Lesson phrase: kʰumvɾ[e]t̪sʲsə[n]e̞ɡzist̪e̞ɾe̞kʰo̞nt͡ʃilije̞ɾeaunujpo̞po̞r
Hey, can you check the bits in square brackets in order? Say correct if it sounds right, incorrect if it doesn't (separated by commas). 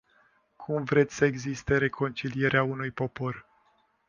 correct, incorrect